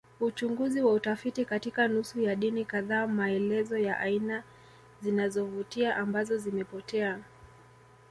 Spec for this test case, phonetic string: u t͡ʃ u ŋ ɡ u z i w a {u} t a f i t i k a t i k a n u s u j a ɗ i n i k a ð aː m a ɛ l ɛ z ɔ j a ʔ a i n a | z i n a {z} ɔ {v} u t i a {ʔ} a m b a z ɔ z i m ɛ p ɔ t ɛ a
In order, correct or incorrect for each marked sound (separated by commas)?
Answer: correct, correct, correct, correct